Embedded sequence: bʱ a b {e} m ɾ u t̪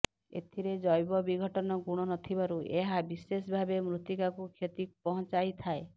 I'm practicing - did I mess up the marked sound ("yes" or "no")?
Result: no